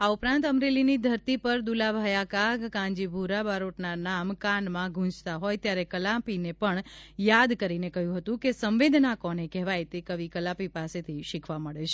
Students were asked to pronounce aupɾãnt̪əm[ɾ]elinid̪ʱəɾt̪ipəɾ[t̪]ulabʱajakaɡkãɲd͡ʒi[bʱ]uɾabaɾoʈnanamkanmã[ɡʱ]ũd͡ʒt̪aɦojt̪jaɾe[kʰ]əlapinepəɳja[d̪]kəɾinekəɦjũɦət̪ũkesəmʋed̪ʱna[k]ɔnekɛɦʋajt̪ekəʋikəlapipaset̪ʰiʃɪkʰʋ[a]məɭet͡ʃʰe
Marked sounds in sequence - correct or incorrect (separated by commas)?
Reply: correct, incorrect, correct, correct, incorrect, correct, correct, correct